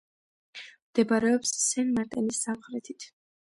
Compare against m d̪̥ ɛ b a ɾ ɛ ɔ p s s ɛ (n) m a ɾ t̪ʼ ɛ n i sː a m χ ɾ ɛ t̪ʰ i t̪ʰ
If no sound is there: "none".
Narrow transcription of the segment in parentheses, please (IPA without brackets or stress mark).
n